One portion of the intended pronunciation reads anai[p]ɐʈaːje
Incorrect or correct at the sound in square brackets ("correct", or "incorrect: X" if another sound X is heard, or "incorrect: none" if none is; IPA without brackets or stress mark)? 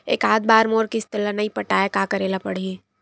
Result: correct